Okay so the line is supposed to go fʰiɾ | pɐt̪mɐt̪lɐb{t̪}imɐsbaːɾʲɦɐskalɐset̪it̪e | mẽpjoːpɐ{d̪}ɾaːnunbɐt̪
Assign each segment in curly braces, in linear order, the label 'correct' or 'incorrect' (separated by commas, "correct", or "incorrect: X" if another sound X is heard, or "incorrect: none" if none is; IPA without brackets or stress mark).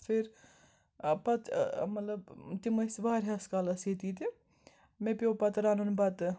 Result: correct, incorrect: t̪